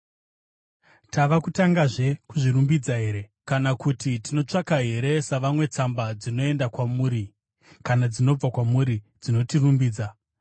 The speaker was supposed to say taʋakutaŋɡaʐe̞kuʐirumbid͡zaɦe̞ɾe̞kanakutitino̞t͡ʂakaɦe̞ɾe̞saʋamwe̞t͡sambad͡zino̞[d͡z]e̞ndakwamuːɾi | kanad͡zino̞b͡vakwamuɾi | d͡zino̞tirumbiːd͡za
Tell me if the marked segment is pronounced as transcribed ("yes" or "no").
no